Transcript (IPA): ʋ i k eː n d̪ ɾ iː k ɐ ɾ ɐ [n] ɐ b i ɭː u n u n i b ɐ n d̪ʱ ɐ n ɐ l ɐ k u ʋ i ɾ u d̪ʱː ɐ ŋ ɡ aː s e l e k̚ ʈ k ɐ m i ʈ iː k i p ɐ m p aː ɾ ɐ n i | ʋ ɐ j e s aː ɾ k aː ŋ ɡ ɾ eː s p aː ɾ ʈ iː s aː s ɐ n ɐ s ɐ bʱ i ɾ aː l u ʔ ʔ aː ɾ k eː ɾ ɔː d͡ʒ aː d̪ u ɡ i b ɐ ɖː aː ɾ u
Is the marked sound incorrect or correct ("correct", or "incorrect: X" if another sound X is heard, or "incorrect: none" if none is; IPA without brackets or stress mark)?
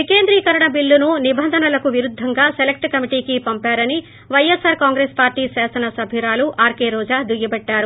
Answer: incorrect: ɳ